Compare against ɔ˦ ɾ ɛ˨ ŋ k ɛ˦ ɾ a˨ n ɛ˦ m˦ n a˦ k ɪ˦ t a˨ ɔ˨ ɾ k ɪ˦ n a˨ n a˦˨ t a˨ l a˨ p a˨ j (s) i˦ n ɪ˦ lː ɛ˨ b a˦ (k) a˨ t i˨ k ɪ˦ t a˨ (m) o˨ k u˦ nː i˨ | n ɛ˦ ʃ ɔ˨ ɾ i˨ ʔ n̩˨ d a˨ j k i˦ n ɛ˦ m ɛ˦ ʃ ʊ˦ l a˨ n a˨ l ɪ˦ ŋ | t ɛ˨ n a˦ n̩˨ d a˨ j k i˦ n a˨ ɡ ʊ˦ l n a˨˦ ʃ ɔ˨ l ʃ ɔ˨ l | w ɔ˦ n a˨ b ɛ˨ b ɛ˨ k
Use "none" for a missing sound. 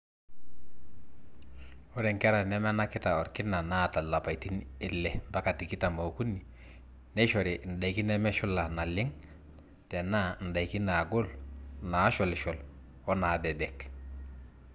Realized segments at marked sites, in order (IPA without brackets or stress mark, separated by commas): t, k, m